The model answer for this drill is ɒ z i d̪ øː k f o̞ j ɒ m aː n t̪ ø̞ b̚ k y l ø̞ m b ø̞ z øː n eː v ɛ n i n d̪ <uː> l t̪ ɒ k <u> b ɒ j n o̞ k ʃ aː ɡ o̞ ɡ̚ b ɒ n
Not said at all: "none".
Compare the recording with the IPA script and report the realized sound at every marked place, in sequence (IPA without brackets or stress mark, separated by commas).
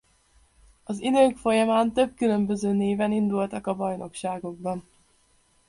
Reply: u, ɒ